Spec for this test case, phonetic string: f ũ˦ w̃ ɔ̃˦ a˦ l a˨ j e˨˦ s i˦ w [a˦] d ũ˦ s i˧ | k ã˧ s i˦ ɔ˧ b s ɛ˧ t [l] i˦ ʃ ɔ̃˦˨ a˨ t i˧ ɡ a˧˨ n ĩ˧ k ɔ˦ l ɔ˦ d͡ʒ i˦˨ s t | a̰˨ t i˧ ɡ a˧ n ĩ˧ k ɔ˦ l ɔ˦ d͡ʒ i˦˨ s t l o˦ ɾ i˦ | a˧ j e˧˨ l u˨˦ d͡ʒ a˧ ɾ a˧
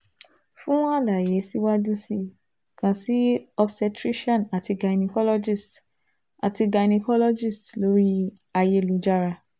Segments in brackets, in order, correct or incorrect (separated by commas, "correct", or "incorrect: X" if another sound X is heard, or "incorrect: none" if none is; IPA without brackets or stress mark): correct, incorrect: ɾ